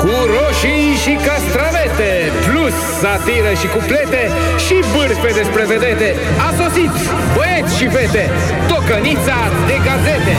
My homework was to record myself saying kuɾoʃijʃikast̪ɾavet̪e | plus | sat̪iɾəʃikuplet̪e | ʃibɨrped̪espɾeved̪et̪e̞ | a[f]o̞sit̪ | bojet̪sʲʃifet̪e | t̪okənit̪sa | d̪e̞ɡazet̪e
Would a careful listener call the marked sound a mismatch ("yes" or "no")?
yes